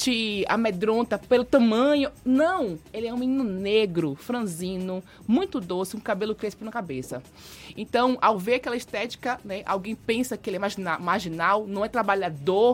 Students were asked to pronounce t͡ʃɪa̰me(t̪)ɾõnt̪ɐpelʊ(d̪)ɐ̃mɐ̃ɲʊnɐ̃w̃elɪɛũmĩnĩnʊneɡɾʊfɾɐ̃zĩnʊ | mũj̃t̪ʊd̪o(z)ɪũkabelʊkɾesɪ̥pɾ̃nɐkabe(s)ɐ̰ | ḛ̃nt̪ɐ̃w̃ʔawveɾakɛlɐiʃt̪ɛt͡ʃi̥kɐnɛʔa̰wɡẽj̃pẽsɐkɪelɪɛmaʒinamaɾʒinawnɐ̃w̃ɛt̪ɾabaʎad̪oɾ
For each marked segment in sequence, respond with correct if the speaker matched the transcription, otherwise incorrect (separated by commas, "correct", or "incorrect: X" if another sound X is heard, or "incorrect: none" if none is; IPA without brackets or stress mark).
incorrect: d̪, incorrect: t̪, incorrect: s, correct